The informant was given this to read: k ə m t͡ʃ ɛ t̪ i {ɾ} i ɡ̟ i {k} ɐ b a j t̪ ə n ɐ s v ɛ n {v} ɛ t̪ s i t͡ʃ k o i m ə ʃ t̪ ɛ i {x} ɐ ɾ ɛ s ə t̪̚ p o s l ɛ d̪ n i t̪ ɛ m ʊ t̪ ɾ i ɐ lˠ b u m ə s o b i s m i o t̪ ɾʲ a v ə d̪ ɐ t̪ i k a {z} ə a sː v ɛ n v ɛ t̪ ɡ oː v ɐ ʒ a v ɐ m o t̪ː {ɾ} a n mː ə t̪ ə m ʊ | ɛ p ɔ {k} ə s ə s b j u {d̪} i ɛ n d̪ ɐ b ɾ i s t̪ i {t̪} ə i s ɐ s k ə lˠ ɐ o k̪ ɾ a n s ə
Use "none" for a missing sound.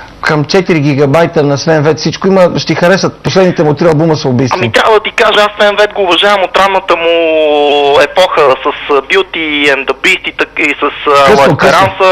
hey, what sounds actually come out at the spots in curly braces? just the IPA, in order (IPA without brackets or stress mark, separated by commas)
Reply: ɾ, ɡ, v, x, ʒ, ɾ, x, t̪, t̪